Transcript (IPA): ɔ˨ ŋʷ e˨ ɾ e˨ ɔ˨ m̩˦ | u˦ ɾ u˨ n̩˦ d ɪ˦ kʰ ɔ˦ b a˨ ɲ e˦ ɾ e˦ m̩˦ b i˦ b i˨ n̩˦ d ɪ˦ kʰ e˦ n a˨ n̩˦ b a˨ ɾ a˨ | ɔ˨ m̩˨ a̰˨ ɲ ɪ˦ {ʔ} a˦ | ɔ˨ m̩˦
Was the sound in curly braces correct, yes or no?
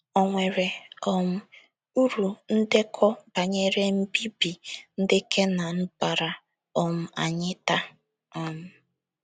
no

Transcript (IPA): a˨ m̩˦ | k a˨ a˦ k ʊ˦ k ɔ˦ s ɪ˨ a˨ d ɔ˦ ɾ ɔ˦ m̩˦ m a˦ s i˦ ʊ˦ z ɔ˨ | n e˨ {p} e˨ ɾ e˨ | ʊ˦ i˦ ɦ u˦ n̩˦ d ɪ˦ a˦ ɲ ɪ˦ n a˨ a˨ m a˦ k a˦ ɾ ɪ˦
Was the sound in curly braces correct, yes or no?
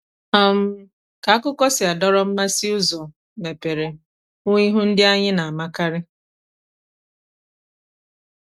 yes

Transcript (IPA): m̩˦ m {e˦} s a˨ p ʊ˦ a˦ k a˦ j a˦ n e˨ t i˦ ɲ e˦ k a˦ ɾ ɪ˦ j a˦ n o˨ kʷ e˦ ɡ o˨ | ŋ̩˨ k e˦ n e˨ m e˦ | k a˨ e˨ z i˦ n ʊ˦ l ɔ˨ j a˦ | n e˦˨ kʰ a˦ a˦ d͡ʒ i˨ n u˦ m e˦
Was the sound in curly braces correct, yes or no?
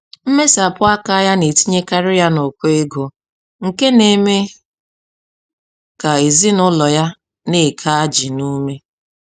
yes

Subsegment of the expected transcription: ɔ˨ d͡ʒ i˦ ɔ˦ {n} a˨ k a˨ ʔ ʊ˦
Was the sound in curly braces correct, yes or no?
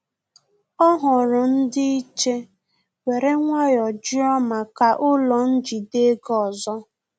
no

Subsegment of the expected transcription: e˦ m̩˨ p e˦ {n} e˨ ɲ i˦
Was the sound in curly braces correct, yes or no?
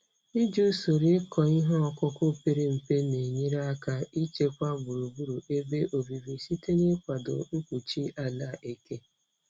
yes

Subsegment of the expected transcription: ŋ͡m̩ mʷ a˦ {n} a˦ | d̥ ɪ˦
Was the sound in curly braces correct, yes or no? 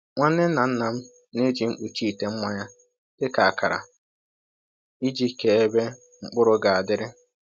no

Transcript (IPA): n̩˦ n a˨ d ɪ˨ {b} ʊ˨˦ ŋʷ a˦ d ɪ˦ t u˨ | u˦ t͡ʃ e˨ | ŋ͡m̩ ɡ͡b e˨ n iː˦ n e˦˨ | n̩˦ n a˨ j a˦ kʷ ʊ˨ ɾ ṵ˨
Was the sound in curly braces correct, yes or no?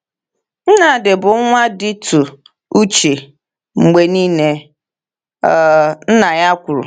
yes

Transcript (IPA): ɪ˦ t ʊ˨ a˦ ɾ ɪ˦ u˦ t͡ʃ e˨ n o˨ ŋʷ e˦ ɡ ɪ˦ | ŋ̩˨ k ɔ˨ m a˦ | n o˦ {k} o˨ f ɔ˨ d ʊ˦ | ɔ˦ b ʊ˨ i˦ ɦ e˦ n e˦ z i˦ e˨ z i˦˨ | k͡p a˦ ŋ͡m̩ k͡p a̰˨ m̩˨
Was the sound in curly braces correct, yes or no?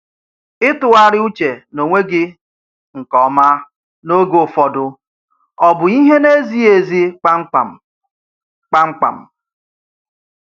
no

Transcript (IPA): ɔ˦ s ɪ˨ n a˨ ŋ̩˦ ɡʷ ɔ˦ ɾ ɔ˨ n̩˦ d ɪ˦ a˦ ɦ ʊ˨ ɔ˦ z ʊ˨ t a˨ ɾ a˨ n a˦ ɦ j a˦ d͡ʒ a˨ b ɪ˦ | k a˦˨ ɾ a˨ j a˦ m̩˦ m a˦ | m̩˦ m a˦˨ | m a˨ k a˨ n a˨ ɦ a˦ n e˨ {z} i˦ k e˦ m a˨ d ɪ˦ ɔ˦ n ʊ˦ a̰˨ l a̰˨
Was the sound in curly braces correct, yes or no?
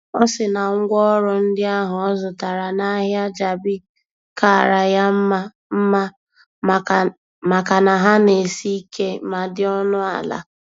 no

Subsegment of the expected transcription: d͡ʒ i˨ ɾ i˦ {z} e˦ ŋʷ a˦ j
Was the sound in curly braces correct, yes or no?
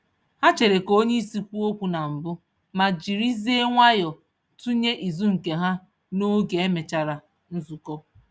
yes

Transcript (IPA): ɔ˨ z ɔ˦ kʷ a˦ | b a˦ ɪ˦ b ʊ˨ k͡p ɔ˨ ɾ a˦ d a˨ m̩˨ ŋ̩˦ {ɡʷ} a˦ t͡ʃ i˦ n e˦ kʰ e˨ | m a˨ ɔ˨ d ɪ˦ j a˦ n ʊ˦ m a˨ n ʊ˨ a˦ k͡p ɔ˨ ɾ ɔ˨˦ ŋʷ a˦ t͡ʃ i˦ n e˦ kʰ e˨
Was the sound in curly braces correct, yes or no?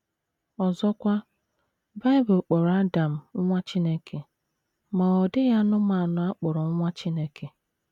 no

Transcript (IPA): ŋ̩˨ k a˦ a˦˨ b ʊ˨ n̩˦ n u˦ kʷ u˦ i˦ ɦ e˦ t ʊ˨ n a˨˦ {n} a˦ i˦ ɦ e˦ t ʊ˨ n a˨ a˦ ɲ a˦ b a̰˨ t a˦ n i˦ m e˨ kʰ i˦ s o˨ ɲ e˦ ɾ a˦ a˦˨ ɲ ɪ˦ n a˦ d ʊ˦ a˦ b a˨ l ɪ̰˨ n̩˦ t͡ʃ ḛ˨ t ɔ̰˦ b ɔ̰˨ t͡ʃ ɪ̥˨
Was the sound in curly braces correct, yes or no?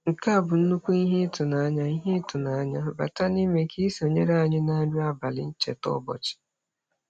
no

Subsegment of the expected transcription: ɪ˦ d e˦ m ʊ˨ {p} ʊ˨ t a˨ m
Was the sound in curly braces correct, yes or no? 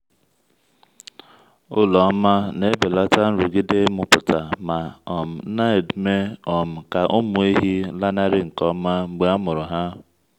yes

